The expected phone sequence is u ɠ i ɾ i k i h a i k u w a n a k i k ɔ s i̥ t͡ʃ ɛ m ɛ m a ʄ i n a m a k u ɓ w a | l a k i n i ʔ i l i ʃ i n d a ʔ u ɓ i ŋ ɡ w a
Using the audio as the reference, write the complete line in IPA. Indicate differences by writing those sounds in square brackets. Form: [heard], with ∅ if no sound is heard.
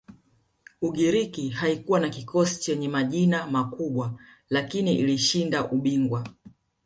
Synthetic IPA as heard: u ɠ i ɾ i k i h a i k u w a n a k i k ɔ s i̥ t͡ʃ ɛ [ɲ] ɛ m a ʄ i n a m a k u ɓ w a | l a k i n i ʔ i l i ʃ i n d a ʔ u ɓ i ŋ ɡ w a